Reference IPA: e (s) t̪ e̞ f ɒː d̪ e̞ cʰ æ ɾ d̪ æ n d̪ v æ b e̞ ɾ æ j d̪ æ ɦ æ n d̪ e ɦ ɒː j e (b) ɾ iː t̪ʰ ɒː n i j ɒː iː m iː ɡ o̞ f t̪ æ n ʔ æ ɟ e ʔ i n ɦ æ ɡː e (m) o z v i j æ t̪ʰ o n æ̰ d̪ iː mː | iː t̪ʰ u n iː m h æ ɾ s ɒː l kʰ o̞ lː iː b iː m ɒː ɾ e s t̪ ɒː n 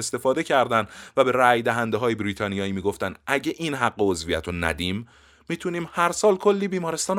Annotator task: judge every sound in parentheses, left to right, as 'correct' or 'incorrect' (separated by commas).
correct, correct, incorrect